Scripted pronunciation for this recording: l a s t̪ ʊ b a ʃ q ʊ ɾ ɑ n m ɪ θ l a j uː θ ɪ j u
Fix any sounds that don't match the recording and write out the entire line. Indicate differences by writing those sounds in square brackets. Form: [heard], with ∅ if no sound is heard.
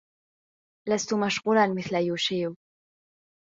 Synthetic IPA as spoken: l a s t̪ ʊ [m] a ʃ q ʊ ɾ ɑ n m ɪ θ l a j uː [ʃ] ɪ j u